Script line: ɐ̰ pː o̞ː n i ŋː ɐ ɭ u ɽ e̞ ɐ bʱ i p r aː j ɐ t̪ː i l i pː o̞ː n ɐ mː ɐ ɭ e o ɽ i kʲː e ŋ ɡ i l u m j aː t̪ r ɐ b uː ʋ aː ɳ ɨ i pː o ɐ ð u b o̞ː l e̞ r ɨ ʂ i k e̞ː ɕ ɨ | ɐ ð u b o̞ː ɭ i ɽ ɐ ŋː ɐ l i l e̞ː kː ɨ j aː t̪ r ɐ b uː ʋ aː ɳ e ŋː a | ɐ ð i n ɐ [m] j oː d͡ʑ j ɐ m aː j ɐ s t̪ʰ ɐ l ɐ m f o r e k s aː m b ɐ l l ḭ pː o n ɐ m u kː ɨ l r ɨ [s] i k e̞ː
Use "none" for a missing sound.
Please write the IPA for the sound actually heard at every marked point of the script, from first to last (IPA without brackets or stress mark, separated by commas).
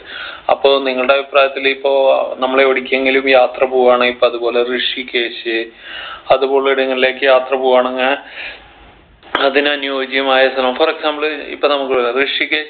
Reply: n, ʂ